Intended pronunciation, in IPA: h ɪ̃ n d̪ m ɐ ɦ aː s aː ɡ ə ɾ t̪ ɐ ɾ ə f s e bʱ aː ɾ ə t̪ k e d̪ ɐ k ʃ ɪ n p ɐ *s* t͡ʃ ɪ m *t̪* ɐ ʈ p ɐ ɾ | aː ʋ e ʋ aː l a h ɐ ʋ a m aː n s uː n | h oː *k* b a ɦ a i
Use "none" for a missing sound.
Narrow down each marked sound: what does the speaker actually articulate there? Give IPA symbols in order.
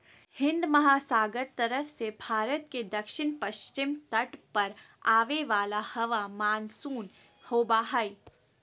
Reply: ʃ, t̪, none

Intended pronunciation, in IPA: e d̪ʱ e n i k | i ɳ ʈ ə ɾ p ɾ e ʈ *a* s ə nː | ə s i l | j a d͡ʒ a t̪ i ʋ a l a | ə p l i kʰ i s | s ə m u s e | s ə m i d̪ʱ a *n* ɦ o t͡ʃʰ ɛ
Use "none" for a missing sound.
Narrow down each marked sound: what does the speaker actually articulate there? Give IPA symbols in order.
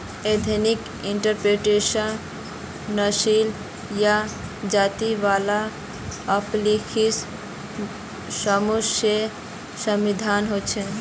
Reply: e, n

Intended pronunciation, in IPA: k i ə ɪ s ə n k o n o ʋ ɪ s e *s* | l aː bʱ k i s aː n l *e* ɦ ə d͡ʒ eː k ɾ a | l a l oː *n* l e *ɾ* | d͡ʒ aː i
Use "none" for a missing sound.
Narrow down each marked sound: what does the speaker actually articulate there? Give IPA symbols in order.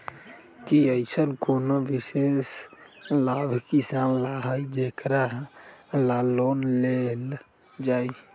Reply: s, a, n, l

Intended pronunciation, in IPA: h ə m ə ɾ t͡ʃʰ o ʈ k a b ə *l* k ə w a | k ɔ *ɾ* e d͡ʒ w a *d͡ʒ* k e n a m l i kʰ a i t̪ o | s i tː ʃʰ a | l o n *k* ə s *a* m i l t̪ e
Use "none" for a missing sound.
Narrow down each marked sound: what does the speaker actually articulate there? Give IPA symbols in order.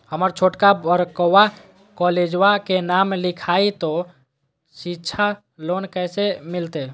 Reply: ɾ, l, none, k, e

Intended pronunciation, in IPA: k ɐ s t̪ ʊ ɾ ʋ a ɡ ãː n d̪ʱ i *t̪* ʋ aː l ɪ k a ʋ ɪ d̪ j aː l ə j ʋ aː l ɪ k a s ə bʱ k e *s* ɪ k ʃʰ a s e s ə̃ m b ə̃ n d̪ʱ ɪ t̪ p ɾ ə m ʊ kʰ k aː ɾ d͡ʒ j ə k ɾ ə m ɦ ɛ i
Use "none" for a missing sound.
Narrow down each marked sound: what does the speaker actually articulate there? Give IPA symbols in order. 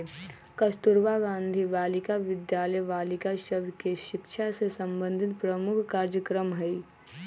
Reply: none, ʃ

